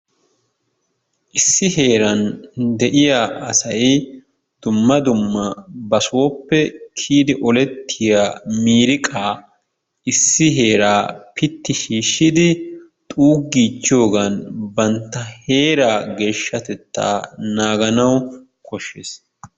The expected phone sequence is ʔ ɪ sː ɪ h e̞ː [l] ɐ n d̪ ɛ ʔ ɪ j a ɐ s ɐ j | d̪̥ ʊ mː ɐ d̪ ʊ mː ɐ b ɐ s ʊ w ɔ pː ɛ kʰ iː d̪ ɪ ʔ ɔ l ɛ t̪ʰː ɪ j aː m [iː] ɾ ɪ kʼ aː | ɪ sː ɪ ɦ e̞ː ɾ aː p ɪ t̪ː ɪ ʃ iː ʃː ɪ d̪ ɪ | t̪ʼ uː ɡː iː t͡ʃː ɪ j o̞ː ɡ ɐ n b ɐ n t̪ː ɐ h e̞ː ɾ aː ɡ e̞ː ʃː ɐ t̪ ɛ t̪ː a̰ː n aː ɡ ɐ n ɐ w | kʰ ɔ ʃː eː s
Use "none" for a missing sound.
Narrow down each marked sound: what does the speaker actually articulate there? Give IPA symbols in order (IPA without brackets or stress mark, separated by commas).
ɾ, iː